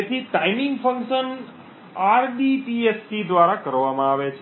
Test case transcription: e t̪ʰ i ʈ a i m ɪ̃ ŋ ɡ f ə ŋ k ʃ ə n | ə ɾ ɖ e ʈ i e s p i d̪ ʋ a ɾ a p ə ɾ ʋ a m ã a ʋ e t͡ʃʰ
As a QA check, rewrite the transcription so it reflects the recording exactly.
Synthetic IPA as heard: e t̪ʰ i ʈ a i m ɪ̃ ŋ ɡ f ə ŋ k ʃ ə n | a ɾ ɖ i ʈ i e s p i d̪ ʋ a ɾ a k ə ɾ ʋ a m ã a ʋ e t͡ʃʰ